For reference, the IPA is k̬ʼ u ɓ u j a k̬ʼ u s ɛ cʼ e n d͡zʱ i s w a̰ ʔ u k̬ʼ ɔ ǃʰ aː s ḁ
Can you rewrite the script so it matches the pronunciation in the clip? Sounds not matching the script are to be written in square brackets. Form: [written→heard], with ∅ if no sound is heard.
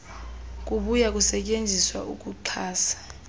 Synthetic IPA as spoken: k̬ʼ u ɓ u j a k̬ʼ u s ɛ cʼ e n d͡zʱ i s w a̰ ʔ u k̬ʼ [ɔ→u] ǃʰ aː s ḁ